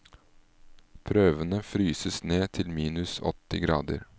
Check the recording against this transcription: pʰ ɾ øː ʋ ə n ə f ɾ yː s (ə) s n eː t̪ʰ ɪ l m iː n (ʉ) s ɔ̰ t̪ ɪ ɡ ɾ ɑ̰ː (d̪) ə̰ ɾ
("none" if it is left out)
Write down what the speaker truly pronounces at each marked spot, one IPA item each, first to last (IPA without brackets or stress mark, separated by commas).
ə, ʉ, d̪